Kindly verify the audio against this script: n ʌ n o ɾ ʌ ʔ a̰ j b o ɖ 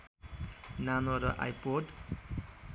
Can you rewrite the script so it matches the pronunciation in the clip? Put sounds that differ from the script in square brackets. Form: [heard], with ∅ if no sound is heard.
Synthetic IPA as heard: n [a] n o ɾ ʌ ʔ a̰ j [p] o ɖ